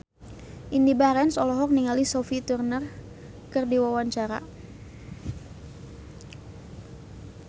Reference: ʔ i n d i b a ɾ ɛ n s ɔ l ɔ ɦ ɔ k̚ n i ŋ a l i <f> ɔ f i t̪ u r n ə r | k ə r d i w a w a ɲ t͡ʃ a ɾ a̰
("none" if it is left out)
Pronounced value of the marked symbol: s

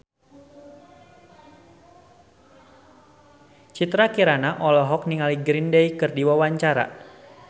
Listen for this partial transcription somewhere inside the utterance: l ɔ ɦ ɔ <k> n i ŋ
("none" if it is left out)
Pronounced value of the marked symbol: k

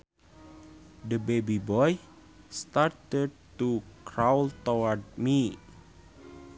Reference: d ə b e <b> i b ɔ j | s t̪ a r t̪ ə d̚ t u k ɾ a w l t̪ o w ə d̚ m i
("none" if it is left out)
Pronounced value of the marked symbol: b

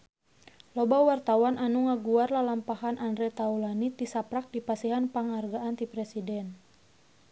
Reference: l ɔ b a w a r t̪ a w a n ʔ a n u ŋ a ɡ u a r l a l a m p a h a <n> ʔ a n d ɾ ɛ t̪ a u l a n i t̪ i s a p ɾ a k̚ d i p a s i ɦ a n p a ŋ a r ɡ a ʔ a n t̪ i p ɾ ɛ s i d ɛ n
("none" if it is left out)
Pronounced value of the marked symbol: n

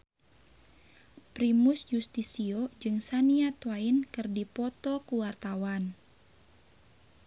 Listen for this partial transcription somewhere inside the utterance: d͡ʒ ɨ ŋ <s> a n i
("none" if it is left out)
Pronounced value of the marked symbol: s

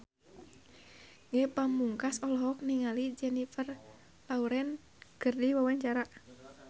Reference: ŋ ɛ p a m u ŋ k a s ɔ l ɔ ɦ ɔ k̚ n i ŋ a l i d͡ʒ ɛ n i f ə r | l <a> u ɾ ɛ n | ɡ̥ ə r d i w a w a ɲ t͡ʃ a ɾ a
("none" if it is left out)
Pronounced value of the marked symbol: a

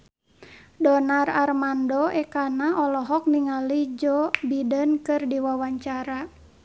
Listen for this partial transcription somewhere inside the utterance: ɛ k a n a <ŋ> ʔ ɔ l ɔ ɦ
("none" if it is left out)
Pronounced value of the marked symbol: none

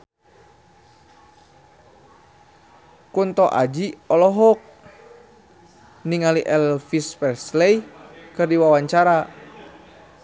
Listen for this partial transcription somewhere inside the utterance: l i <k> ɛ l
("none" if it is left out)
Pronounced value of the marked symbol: ʔ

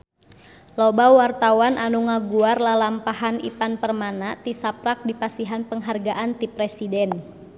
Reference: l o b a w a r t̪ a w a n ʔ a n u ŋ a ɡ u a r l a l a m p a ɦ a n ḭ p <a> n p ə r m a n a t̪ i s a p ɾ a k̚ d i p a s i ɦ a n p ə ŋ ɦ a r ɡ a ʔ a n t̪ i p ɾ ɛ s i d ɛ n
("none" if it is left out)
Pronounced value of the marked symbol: a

